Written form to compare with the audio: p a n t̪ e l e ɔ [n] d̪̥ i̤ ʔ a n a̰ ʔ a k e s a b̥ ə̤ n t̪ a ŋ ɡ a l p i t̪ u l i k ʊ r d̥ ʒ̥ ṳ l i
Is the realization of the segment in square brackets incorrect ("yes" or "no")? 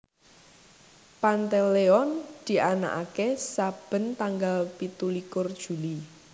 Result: no